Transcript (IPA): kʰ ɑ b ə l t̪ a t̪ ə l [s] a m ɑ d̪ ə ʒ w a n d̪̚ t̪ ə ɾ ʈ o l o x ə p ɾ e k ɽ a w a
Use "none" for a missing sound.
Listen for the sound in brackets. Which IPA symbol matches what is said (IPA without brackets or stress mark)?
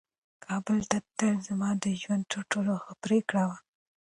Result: z